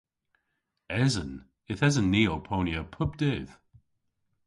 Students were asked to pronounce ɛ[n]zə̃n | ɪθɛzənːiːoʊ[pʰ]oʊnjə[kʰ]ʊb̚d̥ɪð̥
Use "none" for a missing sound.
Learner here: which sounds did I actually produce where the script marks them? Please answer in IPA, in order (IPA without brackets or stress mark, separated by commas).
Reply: none, pʰ, pʰ